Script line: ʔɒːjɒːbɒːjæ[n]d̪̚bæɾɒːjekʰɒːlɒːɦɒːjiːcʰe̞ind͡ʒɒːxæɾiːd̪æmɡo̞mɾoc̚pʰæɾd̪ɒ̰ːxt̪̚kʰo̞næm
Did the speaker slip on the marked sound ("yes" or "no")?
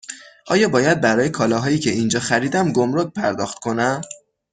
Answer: yes